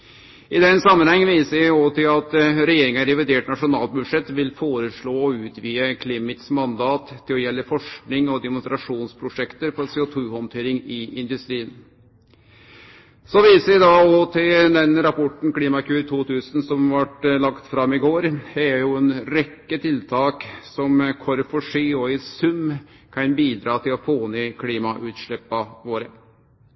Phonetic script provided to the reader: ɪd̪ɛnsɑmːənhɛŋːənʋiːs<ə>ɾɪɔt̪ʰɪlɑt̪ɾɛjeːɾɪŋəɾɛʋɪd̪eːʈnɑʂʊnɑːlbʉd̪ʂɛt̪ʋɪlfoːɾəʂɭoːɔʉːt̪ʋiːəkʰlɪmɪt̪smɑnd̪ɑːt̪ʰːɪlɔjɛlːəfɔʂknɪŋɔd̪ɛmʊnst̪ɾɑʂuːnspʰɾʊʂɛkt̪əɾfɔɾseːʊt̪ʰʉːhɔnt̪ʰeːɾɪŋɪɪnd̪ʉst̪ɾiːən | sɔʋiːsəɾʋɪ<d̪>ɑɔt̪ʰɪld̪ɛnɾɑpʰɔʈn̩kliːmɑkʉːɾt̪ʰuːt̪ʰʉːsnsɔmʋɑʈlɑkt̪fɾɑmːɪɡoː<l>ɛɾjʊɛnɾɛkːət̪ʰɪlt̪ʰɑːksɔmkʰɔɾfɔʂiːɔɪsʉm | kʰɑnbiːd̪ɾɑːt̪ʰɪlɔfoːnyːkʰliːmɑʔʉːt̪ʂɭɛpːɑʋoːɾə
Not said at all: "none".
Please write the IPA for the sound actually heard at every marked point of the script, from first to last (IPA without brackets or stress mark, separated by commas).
ə, d̪, ɾ